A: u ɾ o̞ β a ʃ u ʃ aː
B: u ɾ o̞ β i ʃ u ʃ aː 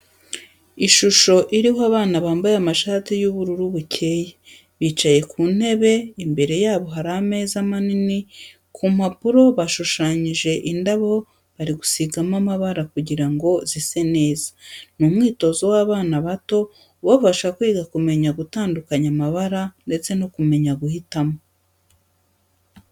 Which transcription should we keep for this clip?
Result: A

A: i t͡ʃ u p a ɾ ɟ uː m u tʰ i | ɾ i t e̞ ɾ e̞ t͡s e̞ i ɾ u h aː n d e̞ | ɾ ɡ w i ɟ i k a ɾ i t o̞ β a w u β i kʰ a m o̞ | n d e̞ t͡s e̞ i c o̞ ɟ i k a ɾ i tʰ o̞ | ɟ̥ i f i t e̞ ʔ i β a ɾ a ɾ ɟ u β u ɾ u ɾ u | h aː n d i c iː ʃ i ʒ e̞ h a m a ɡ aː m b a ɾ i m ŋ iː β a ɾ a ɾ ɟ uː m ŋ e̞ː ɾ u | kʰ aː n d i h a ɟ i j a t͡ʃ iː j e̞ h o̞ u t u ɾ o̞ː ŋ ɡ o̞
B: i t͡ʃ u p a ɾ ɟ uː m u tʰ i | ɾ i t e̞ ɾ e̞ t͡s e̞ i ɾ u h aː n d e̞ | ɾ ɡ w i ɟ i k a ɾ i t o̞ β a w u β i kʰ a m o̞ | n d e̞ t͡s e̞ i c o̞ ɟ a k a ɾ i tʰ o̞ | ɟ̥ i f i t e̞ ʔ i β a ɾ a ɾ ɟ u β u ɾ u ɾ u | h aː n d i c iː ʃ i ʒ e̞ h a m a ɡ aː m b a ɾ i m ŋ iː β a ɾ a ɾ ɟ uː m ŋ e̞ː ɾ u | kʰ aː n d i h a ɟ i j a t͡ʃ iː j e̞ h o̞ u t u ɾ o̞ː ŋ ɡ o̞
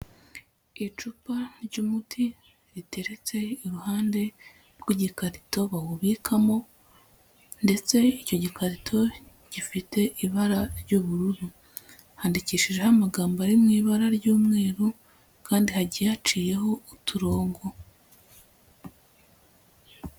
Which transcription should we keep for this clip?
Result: A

